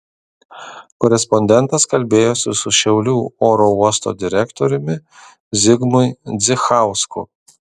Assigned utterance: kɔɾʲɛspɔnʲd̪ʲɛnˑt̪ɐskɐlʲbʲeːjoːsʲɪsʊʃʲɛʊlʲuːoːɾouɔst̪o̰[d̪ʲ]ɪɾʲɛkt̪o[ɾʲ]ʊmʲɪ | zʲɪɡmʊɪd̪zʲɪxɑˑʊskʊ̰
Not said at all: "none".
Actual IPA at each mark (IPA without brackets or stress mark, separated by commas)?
d̪ʲ, ɾʲ